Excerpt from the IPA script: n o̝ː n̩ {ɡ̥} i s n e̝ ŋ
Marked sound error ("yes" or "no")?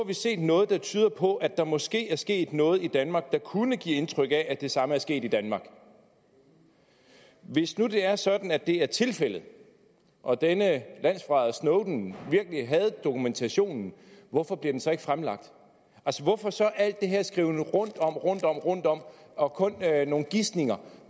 no